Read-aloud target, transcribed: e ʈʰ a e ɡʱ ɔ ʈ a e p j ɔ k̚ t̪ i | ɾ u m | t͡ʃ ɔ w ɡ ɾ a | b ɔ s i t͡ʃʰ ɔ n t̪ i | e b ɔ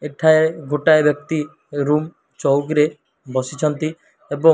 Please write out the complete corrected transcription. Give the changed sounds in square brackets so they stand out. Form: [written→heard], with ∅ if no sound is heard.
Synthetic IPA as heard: e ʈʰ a e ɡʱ [ɔ→o] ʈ a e [p→b] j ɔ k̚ t̪ i | ɾ u m | t͡ʃ ɔ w ɡ ɾ [a→e] | b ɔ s i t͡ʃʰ ɔ n t̪ i | e b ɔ